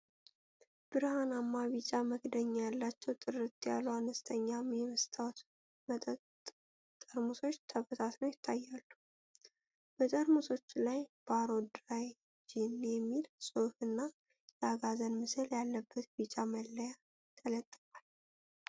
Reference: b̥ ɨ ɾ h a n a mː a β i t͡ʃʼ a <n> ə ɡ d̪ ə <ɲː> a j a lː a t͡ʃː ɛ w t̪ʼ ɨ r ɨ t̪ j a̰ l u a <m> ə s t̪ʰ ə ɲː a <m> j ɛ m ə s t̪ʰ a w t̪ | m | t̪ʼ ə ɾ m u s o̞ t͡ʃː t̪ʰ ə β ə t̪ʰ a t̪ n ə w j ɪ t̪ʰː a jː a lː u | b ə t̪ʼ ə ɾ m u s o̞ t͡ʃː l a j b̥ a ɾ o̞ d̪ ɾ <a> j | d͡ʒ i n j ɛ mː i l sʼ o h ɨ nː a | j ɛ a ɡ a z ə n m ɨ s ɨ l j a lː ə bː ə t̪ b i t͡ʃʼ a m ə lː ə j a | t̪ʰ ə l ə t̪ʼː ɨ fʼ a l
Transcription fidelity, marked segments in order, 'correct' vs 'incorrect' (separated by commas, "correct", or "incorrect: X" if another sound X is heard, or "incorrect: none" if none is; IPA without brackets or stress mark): incorrect: m, correct, incorrect: n, correct, correct